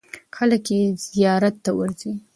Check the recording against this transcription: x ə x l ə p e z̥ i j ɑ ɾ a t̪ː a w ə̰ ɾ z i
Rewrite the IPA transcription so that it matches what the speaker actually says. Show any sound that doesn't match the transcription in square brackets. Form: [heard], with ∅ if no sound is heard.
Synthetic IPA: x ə [∅] l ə [k] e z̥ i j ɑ ɾ a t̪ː a w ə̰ ɾ z i